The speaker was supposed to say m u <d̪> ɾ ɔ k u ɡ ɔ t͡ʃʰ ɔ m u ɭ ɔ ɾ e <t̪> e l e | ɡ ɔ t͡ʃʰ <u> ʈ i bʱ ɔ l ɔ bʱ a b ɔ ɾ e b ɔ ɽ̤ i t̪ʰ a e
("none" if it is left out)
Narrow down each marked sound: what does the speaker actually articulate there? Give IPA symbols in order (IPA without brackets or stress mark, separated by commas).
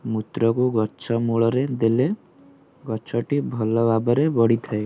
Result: t̪, d̪, ɔ